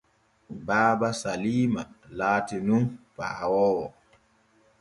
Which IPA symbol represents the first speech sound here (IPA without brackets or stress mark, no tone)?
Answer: b